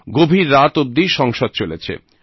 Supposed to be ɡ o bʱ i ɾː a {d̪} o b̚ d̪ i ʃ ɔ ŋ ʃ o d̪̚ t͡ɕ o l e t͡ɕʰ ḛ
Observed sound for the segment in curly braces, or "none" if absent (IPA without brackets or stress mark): t̪